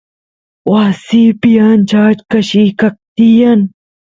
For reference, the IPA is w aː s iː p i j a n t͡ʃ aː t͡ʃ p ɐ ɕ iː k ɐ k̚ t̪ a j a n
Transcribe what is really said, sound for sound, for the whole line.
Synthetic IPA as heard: w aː s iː p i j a n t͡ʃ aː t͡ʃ k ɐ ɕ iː k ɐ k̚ t̪ i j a n